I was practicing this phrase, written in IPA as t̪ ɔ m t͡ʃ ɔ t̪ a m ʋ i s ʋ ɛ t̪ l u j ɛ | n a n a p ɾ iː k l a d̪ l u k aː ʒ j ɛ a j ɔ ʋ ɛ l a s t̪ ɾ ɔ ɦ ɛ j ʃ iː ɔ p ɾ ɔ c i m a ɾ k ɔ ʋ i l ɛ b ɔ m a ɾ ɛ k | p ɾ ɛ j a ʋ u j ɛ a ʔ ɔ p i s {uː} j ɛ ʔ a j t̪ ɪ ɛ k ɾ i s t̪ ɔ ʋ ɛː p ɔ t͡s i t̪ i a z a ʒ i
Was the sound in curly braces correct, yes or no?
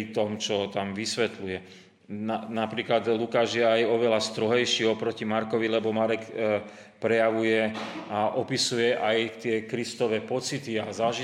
no